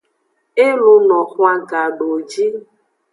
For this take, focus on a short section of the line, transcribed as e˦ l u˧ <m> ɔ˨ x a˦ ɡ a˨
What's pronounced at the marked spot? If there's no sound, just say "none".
n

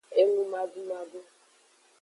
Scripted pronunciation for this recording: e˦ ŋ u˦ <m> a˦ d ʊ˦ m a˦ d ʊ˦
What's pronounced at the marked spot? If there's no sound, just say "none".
m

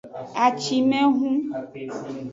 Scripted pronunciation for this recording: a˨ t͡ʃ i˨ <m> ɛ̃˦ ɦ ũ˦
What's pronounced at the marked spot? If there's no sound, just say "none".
m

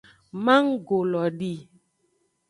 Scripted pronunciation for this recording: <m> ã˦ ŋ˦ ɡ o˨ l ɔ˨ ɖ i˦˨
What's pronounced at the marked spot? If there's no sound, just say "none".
m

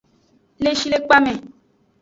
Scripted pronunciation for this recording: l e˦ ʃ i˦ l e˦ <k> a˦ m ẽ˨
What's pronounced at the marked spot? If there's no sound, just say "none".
k͡p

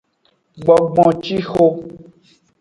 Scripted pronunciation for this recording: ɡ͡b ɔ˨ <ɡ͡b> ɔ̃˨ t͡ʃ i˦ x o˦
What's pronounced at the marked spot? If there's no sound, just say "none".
ɡ͡b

